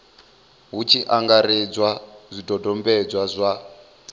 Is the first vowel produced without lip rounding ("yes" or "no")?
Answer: no